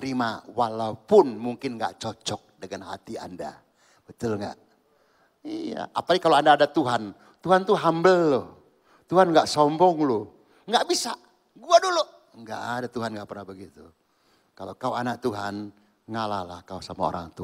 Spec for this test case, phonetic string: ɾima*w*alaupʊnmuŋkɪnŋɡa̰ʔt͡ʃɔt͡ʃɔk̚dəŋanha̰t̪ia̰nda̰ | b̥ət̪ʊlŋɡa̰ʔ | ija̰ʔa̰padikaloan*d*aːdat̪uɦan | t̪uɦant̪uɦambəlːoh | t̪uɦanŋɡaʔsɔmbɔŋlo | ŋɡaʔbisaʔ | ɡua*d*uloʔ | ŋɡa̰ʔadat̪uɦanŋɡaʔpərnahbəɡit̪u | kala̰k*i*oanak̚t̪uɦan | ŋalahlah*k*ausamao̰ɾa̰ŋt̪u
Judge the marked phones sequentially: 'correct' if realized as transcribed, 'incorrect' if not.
correct, correct, correct, incorrect, correct

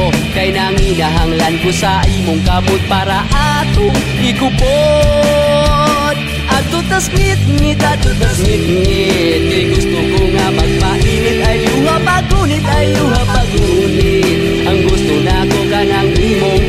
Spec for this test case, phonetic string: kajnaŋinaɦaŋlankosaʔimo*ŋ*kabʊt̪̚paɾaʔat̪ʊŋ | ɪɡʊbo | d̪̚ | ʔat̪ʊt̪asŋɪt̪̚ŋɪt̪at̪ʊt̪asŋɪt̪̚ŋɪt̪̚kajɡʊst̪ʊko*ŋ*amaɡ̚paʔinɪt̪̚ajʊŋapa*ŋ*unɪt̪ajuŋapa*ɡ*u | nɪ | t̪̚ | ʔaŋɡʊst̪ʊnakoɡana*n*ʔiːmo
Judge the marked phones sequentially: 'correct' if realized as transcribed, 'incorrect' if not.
correct, correct, incorrect, correct, incorrect

